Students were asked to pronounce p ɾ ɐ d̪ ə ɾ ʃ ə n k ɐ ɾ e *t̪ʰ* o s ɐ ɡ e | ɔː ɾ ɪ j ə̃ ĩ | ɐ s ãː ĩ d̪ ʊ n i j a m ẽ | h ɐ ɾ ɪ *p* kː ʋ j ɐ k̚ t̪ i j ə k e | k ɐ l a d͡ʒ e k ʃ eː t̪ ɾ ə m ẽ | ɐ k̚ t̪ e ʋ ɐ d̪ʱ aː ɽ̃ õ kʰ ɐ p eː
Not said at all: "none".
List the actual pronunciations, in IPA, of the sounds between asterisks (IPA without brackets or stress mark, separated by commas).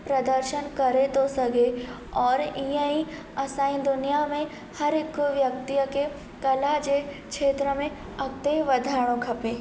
t̪, none